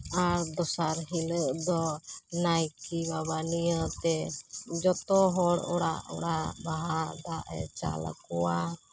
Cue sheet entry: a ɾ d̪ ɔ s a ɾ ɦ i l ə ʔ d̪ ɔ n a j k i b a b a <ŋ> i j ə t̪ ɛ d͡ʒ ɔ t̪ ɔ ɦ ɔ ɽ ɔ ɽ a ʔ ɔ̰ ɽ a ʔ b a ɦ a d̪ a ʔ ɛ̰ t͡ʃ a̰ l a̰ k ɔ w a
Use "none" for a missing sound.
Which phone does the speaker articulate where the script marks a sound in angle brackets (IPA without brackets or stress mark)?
n